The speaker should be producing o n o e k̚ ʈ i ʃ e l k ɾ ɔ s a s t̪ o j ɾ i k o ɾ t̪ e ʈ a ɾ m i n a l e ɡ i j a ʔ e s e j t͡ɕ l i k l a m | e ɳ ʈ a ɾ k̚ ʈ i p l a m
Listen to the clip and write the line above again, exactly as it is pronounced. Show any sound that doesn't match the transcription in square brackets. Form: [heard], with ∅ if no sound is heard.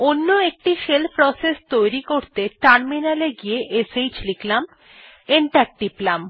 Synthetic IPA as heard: o [nː] o e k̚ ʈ i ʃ e l [p] ɾ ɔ s [e] s t̪ o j ɾ i k o ɾ t̪ e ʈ a ɾ m i n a l e ɡ i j [e] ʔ e s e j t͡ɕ l i k l a m | e ɳ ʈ a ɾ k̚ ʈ i p l a m

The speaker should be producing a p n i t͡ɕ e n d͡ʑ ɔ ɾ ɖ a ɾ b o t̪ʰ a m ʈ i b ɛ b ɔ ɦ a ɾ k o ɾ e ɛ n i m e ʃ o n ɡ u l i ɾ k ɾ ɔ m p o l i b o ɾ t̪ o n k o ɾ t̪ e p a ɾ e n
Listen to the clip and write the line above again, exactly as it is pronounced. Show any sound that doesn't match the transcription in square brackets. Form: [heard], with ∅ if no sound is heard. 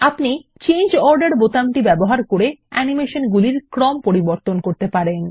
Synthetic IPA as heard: a p n i t͡ɕ e n d͡ʑ ɔ ɾ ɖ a ɾ b o [t̪] a m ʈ i b ɛ b [o] ɦ a ɾ k o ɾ e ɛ n i m e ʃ o n ɡ u l i ɾ k ɾ ɔ m p o [ɾ] i b o ɾ t̪ o n k o ɾ t̪ e p a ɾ e n

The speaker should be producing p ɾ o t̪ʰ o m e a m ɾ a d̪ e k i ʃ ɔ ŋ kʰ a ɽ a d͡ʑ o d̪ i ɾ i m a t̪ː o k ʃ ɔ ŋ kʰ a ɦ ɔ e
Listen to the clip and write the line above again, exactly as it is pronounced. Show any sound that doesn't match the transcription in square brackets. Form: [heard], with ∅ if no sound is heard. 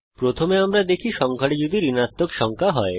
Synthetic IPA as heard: p ɾ o t̪ʰ o m e a m ɾ a d̪ e [kʰ] i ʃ ɔ ŋ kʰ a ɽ [e] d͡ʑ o d̪ i ɾ i [n] a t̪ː o k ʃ ɔ ŋ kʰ a ɦ ɔ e

